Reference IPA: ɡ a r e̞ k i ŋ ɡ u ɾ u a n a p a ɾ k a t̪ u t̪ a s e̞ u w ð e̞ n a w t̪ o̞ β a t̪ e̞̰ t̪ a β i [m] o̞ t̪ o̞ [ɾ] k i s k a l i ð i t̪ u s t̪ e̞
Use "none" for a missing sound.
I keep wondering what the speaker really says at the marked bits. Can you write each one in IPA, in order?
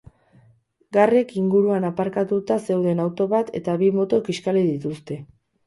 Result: m, none

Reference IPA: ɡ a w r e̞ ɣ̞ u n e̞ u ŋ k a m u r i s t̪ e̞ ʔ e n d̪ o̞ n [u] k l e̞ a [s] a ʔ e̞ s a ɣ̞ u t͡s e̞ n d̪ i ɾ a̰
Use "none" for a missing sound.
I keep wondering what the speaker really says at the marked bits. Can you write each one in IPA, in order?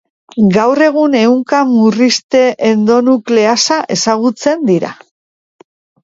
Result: u, s

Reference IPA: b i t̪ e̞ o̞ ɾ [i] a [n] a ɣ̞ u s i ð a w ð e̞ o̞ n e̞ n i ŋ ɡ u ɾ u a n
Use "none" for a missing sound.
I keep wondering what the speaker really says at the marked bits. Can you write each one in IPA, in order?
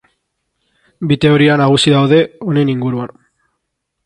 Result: i, n

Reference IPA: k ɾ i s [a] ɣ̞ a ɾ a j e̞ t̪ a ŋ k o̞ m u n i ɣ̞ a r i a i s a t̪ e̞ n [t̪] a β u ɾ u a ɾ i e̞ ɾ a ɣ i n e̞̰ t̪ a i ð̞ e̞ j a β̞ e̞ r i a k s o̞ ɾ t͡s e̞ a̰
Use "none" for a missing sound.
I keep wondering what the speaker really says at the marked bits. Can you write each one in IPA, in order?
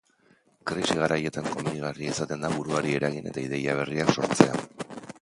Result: i, d̪

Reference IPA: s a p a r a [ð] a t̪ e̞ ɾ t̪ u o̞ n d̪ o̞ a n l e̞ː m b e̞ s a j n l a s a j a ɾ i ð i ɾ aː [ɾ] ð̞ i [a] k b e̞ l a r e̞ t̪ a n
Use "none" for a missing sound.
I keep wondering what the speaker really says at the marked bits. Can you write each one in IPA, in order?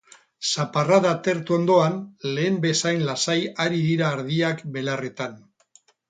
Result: ð, ɾ, a

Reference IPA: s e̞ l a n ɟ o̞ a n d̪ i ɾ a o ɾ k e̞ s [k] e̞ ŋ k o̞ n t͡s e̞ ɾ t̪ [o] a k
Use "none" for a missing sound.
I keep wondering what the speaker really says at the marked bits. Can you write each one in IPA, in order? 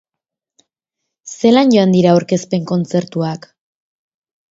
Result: p, u

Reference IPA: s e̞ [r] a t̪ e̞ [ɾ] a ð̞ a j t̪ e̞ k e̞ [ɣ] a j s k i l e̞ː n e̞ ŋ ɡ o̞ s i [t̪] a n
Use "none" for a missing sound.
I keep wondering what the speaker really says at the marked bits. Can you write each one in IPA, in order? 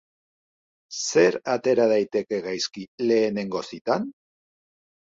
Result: ɾ, ɾ, ɣ, t̪

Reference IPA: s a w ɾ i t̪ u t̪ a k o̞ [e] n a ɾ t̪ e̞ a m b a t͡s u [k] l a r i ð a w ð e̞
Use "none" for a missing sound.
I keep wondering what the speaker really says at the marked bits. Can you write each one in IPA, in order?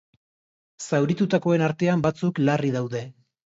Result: e, k

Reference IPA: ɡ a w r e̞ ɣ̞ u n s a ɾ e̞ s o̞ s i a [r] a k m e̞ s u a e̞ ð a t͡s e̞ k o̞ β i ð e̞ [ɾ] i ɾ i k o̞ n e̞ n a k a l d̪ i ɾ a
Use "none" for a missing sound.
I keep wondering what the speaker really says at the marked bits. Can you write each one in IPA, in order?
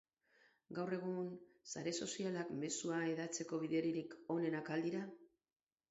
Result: l, ɾ

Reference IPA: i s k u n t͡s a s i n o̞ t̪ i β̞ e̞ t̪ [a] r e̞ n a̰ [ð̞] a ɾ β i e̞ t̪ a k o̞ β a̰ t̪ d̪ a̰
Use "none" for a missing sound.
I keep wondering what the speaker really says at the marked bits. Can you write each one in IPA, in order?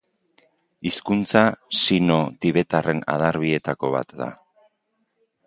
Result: a, ð̞

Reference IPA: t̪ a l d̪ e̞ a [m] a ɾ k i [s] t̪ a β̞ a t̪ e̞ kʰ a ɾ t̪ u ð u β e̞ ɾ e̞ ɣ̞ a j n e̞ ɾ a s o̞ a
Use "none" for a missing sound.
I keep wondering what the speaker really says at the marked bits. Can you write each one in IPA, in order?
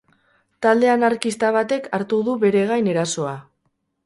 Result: n, s

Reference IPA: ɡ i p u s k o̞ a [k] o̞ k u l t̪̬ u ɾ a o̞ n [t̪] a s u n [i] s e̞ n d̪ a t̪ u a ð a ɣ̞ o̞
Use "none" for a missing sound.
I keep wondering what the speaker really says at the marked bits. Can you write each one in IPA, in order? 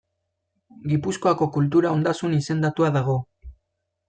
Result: k, d̪, i

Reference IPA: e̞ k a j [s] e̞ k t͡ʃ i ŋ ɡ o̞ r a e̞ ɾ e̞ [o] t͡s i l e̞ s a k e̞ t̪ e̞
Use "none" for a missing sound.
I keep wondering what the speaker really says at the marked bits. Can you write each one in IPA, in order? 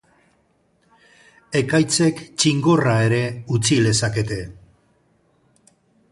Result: t͡s, u

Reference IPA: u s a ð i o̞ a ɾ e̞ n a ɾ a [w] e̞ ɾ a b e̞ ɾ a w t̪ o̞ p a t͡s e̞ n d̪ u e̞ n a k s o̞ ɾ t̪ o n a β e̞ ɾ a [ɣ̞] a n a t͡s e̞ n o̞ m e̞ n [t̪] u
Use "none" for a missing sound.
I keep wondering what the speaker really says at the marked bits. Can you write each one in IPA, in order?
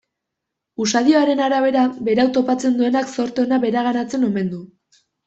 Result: β, ɣ̞, d̪

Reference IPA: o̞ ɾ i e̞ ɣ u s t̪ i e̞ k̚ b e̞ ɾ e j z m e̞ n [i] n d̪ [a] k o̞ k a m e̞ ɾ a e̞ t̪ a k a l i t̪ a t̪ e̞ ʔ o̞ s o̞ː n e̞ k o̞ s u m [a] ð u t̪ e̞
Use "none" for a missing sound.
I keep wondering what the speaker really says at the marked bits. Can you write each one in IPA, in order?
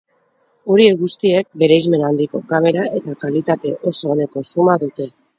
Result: a, i, a

